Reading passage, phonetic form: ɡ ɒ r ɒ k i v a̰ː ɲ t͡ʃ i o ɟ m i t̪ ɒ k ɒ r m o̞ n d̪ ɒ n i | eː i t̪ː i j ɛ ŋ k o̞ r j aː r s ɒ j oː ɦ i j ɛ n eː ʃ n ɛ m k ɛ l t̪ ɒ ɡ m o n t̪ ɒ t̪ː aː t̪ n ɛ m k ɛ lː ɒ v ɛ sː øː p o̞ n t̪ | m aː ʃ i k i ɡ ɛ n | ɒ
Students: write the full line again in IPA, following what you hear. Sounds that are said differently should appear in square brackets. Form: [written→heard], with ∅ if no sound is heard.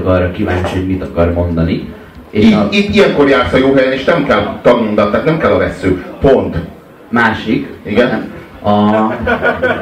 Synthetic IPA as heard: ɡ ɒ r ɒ k i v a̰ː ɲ t͡ʃ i o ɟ m i t̪ ɒ k ɒ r m o̞ n d̪ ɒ n i | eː i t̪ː i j ɛ ŋ k o̞ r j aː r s ɒ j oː ɦ [i→ɛ] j ɛ n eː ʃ n ɛ m k ɛ l t̪ ɒ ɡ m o n [t̪→d̪] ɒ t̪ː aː t̪ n ɛ m k ɛ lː ɒ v ɛ sː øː p o̞ n t̪ | m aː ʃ i k i ɡ ɛ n | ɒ